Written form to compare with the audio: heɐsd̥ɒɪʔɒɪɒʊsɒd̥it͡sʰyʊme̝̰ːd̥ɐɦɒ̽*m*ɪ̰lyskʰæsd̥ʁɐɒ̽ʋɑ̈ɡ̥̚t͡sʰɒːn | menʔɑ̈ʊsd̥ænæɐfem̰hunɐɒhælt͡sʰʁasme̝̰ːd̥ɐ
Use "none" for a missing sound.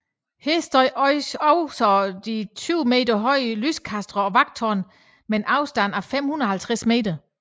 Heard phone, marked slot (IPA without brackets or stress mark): none